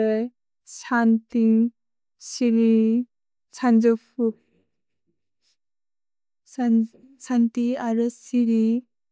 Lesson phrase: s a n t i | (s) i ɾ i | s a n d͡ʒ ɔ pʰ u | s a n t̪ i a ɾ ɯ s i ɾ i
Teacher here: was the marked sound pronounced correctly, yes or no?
yes